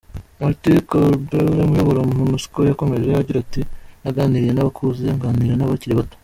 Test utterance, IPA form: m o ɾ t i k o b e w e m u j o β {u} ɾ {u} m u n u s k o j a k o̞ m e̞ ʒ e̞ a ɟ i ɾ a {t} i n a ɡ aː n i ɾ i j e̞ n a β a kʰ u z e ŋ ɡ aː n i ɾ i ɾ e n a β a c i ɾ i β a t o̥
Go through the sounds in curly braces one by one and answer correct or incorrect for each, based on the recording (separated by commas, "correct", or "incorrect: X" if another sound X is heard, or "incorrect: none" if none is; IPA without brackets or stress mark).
incorrect: o, incorrect: o, correct